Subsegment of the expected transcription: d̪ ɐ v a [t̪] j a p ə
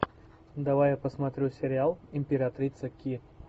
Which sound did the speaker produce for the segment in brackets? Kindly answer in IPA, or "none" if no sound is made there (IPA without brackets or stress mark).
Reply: none